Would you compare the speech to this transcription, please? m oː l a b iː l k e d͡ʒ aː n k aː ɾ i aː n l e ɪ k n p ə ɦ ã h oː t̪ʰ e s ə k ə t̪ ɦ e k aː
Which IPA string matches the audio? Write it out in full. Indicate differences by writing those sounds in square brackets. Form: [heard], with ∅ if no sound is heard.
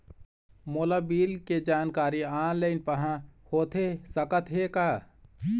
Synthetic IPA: m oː l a b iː l k e d͡ʒ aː n k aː ɾ i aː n l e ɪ [∅] n p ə ɦ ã h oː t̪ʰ e s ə k ə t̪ ɦ e k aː

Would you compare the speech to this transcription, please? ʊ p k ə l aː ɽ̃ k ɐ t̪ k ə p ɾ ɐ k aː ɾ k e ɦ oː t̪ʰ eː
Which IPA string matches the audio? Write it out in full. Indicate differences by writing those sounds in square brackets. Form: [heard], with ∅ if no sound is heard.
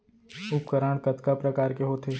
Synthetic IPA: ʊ p k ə [ɾ] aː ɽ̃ k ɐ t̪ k [a] p ɾ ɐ k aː ɾ k e ɦ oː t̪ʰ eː

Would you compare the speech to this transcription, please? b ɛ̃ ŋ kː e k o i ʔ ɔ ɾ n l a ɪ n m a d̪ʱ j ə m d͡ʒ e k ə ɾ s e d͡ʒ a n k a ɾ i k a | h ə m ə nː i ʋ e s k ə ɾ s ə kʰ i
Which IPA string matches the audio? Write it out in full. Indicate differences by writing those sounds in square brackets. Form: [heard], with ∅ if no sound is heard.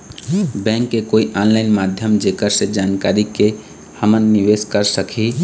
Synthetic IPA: b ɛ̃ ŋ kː e k o i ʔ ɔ [∅] n l a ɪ n m a d̪ʱ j ə m d͡ʒ e k ə ɾ s e d͡ʒ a n k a ɾ i k [e] | h ə m ə nː i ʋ e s k ə ɾ s ə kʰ i

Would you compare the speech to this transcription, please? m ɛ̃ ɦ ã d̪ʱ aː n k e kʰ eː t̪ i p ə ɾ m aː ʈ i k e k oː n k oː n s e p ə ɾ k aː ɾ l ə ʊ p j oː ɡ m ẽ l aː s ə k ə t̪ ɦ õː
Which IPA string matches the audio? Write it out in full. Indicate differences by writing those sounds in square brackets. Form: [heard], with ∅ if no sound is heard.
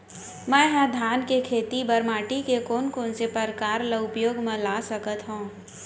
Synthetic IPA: m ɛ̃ ɦ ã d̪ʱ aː n k e kʰ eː t̪ i [b] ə ɾ m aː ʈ i k e k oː n k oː n s e p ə ɾ k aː ɾ l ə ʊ p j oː ɡ m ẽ l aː s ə k ə t̪ ɦ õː

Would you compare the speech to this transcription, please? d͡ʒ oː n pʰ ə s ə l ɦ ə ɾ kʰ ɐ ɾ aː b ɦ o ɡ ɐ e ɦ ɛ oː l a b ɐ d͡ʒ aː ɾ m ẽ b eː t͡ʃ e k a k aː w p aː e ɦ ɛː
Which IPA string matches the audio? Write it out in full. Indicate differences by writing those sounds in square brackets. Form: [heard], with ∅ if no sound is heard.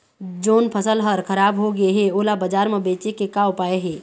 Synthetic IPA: d͡ʒ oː n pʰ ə s ə l ɦ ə ɾ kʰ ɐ ɾ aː b ɦ o ɡ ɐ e ɦ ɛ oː l a b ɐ d͡ʒ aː ɾ m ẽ b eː t͡ʃ e k [e] k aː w p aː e ɦ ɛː

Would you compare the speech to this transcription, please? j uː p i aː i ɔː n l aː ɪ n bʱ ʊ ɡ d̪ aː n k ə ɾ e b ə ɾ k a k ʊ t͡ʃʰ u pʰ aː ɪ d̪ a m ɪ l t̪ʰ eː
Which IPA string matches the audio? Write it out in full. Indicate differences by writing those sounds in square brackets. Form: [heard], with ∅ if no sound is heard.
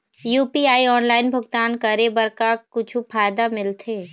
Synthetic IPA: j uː p i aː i ɔː n l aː ɪ n bʱ ʊ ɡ [t̪] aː n k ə ɾ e b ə ɾ k a k ʊ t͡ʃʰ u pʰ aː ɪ d̪ a m ɪ l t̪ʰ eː

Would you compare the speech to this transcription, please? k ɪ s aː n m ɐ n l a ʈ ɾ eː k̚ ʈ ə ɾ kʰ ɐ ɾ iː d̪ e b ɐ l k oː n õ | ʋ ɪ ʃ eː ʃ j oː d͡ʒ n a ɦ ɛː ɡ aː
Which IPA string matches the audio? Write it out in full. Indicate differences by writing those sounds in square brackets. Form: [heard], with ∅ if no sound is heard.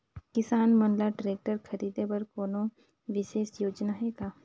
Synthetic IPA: k ɪ s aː n m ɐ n l a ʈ ɾ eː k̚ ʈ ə ɾ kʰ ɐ ɾ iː d̪ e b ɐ [ɾ] k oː n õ | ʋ ɪ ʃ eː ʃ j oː d͡ʒ n a ɦ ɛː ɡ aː

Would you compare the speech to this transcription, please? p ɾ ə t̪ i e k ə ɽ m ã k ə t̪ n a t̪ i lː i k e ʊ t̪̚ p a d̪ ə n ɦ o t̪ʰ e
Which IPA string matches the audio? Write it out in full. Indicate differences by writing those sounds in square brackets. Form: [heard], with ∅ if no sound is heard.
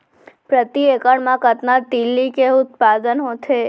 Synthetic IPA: p ɾ ə t̪ i e k ə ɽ m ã k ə t̪ n a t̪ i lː i k e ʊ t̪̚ p a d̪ ə n ɦ o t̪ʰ e

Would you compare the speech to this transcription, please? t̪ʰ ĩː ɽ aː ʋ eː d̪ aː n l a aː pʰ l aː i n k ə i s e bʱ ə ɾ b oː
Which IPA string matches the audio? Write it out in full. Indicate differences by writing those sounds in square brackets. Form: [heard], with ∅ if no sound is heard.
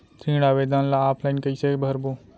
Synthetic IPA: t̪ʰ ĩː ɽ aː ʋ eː d̪ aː n l a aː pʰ l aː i n k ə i s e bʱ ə ɾ b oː

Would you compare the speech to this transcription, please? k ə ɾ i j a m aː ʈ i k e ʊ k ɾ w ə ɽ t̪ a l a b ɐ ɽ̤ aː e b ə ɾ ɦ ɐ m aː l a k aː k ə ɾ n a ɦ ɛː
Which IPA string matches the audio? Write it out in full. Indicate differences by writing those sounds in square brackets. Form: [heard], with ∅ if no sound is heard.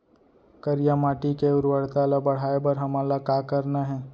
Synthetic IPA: k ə ɾ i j a m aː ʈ i k e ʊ [∅] ɾ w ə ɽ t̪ a l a b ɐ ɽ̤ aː e b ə ɾ ɦ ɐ m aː l a k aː k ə ɾ n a ɦ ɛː

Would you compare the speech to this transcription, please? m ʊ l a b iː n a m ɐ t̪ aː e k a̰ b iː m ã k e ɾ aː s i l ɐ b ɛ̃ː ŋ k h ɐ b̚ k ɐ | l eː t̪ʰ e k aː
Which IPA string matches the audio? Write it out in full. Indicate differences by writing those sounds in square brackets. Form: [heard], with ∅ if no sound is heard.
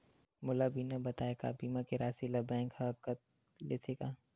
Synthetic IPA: m ʊ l a b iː n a [b] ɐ t̪ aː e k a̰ b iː m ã k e ɾ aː s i l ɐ b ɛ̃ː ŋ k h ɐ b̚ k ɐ | l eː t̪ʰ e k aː

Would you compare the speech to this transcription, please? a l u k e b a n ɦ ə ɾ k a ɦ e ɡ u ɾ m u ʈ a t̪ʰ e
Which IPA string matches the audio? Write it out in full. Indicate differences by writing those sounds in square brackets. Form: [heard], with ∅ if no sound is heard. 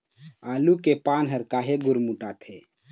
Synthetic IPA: a l u k e [p] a n ɦ ə ɾ k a ɦ e ɡ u ɾ m u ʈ a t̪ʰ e

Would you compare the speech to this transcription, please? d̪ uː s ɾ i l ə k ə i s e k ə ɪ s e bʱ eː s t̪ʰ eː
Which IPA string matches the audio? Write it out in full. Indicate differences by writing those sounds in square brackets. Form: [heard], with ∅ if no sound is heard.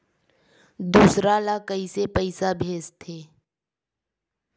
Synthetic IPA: d̪ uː s ɾ [a] l [a] k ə i s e [p] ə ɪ s [a] bʱ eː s t̪ʰ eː

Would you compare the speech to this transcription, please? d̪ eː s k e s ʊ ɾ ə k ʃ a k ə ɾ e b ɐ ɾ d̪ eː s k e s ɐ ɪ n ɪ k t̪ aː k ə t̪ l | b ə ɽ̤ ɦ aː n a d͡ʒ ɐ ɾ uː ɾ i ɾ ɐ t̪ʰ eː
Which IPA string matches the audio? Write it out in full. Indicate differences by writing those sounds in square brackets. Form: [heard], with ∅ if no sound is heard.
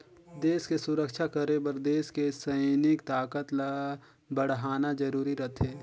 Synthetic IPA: d̪ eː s k e s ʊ ɾ ə k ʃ a k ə ɾ e b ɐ ɾ d̪ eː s k e s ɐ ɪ n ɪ k t̪ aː k ə t̪ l | b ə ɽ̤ ɦ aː n a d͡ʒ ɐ ɾ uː ɾ i ɾ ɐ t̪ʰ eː

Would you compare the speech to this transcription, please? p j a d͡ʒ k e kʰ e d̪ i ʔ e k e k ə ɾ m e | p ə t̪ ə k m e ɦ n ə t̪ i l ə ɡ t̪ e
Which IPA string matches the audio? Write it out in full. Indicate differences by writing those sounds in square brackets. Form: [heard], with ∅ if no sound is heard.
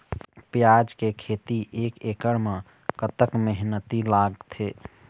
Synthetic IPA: p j a d͡ʒ k e kʰ e [t̪] i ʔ e k e k ə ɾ m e | [k] ə t̪ ə k m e ɦ n ə t̪ i l [a] ɡ [t̪ʰ] e

